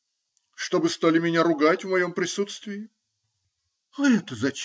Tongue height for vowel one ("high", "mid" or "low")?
mid